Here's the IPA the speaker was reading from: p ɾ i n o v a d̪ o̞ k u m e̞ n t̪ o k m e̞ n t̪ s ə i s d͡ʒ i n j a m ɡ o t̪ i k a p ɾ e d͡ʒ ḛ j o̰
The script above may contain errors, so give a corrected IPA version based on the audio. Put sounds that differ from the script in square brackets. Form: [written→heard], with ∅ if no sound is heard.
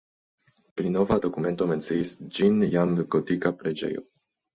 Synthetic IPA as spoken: p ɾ i n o v a d̪ o̞ k u m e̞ n t̪ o [k→∅] m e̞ n t̪ s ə i s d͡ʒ i n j a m ɡ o t̪ i k a p ɾ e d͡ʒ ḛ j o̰